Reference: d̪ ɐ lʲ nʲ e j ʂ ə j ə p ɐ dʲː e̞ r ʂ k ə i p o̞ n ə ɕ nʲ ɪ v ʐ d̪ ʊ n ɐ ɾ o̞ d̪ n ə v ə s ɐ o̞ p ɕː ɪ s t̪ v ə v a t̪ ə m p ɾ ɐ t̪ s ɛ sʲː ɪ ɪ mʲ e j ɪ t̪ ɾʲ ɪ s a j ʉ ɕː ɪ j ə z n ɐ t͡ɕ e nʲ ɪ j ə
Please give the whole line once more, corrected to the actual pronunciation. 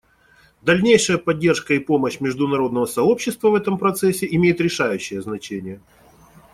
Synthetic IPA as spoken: d̪ ɐ lʲ nʲ e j ʂ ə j ə p ɐ dʲː e̞ r ʂ k ə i p o̞ m ə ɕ mʲ ɪ ʐ d̪ ʊ n ɐ ɾ o̞ d̪ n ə v ə s ɐ o̞ p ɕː ɪ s t̪ v ə v ɛ t̪ ə m p ɾ ɐ t̪ s ɛ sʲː ɪ ɪ mʲ e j ɪ t̪ ɾʲ ɪ ʂ a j ʉ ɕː ɪ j ə z n ɐ t͡ɕ e nʲ ɪ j ə

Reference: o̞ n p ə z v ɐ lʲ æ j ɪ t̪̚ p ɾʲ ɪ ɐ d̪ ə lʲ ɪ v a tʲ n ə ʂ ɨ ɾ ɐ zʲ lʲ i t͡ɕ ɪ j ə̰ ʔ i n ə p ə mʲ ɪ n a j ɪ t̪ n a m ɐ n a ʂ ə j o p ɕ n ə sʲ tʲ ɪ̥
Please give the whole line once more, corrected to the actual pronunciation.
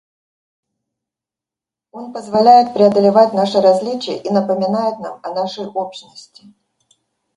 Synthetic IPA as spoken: o̞ n p ə z v ɐ lʲ æ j ɪ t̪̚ p ɾʲ ɪ ɐ d̪ ə lʲ ɪ v a tʲ n a ʂ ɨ ɾ ɐ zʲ lʲ i t͡ɕ ɪ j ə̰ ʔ i n ə p ə mʲ ɪ n a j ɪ t̪ n a m ɐ n a ʂ ə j o p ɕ n ə sʲ tʲ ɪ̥

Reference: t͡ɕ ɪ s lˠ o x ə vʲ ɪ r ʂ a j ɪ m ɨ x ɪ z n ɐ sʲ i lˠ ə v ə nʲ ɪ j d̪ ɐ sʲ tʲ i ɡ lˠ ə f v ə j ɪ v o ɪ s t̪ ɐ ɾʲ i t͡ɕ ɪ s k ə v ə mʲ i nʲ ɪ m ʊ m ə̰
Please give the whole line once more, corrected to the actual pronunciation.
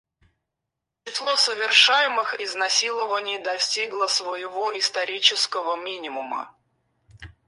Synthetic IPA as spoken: t͡ɕ ɪ s lˠ o s ə vʲ ɪ r ʂ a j ɪ m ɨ x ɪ z n ɐ sʲ i lˠ ə v ə nʲ ɪ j d̪ ɐ sʲ tʲ i ɡ lˠ ə s v ə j ɪ v o ɪ s t̪ ɐ ɾʲ i t͡ɕ ɪ s k ə v ə mʲ i nʲ ɪ m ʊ m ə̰

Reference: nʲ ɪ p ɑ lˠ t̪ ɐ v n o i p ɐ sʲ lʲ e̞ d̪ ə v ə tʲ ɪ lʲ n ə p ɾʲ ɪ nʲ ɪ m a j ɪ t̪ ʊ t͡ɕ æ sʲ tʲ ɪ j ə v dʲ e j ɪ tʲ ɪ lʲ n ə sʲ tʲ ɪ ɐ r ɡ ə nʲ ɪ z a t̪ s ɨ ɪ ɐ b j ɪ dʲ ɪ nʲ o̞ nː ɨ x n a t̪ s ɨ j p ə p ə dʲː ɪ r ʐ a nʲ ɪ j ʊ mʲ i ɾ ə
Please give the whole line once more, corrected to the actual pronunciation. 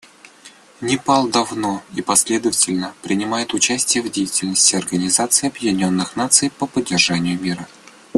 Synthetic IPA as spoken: nʲ ɪ p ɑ lˠ d̪ ɐ v n o i p ɐ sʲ lʲ e̞ d̪ ə v ə tʲ ɪ lʲ n ə p ɾʲ ɪ nʲ ɪ m a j ɪ t̪ ʊ t͡ɕ æ sʲ tʲ ɪ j ə v dʲ e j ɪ tʲ ɪ lʲ n ə sʲ tʲ ɪ ɐ r ɡ ə nʲ ɪ z a t̪ s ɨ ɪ ɐ b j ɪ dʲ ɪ nʲ o̞ nː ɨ x n a t̪ s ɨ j p ə p ə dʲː ɪ r ʐ a nʲ ɪ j ʊ mʲ i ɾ ə

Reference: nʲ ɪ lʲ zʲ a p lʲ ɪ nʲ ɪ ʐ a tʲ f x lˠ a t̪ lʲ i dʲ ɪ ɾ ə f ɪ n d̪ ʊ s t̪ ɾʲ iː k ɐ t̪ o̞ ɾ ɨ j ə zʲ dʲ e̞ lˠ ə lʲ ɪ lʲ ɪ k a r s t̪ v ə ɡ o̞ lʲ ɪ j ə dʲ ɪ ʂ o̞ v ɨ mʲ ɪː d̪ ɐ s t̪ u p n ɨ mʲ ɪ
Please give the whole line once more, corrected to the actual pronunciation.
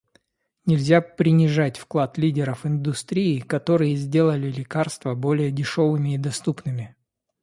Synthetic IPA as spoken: nʲ ɪ lʲ zʲ a p ɾʲ ɪ nʲ ɪ ʐ a tʲ f k lˠ a t̪ lʲ i dʲ ɪ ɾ ə f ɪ n d̪ ʊ s t̪ ɾʲ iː k ɐ t̪ o̞ ɾ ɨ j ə zʲ dʲ e̞ lˠ ə lʲ ɪ lʲ ɪ k a r s t̪ v ə b o̞ lʲ ɪ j ə dʲ ɪ ʂ o̞ v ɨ mʲ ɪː d̪ ɐ s t̪ u p n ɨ mʲ ɪ

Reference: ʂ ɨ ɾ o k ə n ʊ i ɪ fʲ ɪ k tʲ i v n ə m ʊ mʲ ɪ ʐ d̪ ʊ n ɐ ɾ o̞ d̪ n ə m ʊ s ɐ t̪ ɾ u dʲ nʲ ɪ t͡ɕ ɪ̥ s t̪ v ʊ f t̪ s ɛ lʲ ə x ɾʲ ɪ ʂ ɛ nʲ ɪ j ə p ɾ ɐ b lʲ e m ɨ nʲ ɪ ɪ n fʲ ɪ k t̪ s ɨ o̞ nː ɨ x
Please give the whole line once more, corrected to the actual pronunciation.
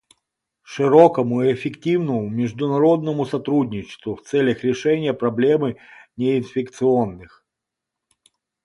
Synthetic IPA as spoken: ʂ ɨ ɾ o k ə m ʊ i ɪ fʲ ɪ k tʲ i v n ə m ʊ mʲ ɪ ʐ d̪ ʊ n ɐ ɾ o̞ d̪ n ə m ʊ s ɐ t̪ ɾ u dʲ nʲ ɪ t͡ɕ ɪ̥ s t̪ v ʊ f t̪ s ɛ lʲ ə x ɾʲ ɪ ʂ ɛ nʲ ɪ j ə p ɾ ɐ b lʲ e m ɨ nʲ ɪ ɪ n fʲ ɪ k t̪ s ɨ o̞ nː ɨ x

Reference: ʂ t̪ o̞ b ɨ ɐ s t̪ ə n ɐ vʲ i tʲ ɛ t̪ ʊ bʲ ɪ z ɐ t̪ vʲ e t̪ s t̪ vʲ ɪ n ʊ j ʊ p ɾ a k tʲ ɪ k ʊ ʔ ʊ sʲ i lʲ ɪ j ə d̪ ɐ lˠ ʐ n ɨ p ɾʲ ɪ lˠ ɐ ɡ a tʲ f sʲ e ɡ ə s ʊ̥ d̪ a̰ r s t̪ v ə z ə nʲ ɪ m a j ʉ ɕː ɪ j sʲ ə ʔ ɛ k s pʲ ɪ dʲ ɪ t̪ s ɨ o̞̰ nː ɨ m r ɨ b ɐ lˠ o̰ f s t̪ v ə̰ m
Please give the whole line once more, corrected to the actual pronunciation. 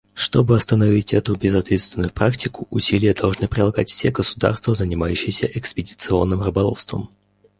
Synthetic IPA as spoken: ʂ t̪ o̞ b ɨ ɐ s t̪ ə n ɐ vʲ i tʲ ɛ t̪ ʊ bʲ ɪ z ɐ t̪ vʲ e t̪ s t̪ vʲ ɪ n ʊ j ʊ p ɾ a k tʲ ɪ k ʊ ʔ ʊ sʲ i lʲ ɪ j ə d̪ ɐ lˠ ʐ n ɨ p ɾʲ ɪ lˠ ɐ ɡ a tʲ f sʲ e ɡ ə s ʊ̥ d̪ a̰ r s t̪ v ə z ə nʲ ɪ m a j ʉ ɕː ɪ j sʲ ə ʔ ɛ k s pʲ ɪ dʲ ɪ t̪ s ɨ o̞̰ nː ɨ m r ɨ b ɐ lˠ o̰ f s t̪ v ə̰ m

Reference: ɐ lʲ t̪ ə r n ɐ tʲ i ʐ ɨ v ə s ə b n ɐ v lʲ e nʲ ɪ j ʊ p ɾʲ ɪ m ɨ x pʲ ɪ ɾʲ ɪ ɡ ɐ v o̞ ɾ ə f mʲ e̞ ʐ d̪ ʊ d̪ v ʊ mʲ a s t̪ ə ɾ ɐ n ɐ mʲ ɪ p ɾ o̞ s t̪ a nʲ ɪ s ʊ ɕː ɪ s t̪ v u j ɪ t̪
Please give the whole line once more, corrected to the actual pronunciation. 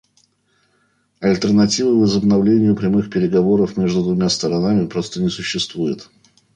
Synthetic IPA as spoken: ɐ lʲ t̪ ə r n ɐ tʲ i v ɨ v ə z ə b n ɐ v lʲ e nʲ ɪ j ʊ p ɾʲ ɪ m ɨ x pʲ ɪ ɾʲ ɪ ɡ ɐ v o̞ ɾ ə f mʲ e̞ ʐ d̪ ʊ d̪ v ʊ mʲ a s t̪ ə ɾ ɐ n a mʲ ɪ p ɾ o̞ s t̪ ə nʲ ɪ s ʊ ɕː ɪ s t̪ v u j ɪ t̪

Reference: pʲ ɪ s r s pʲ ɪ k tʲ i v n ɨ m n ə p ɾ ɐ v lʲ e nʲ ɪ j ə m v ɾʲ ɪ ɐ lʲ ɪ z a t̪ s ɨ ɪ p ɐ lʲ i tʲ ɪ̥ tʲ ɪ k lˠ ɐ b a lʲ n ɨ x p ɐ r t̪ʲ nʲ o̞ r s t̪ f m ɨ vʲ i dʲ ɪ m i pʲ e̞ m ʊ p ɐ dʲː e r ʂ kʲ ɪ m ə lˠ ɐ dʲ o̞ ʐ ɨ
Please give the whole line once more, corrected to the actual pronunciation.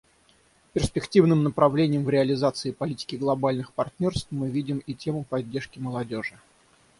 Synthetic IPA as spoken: pʲ ɪ r s pʲ ɪ k tʲ i v n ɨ m n ə p ɾ ɐ v lʲ e nʲ ɪ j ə m v ɾʲ ɪ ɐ lʲ ɪ z a t̪ s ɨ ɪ p ɐ lʲ i tʲ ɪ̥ kʲ ɪ ɡ lˠ ɐ b a lʲ n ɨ x p ɐ r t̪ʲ nʲ o̞ r s t̪ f m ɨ vʲ i dʲ ɪ m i tʲ e̞ m ʊ p ɐ dʲː e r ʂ kʲ ɪ m ə lˠ ɐ dʲ o̞ ʐ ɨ

